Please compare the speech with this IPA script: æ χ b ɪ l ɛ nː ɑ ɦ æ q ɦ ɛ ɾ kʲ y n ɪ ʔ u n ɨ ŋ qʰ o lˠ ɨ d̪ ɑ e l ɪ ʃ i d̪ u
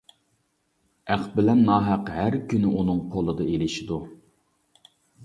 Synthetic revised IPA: æ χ b ɪ l ɛ nː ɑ ɦ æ q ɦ æ ɾ kʲ y n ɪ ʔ u n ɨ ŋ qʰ o lˠ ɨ d̪ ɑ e l ɪ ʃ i d̪ u